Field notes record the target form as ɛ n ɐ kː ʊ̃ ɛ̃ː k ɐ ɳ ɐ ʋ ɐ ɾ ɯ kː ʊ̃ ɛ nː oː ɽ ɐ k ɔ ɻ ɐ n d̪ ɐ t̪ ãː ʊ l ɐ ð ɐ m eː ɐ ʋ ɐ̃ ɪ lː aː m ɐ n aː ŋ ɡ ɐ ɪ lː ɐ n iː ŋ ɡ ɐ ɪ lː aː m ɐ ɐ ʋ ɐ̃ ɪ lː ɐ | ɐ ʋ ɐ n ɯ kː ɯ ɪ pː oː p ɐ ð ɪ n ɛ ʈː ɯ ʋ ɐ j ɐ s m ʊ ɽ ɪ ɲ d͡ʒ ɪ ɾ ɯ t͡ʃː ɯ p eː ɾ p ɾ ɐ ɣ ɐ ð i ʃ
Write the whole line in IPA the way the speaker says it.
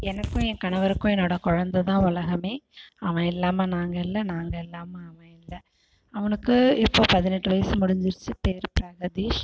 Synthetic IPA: ɛ n ɐ kː ʊ̃ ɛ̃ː k ɐ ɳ ɐ ʋ ɐ ɾ ɯ kː ʊ̃ ɛ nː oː ɽ ɐ k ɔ ɻ ɐ n d̪ ɐ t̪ ãː ʊ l ɐ ɣ ɐ m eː ɐ ʋ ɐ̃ ɪ lː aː m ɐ n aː ŋ ɡ ɐ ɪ lː ɐ n aː ŋ ɡ ɐ ɪ lː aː m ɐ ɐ ʋ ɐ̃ ɪ lː ɐ | ɐ ʋ ɐ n ɯ kː ɯ ɪ pː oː p ɐ ð ɪ n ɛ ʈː ɯ ʋ ɐ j ɐ s m ʊ ɽ ɪ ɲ d͡ʒ ɪ ɾ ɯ t͡ʃː ɯ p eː ɾ p ɾ ɐ ɣ ɐ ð i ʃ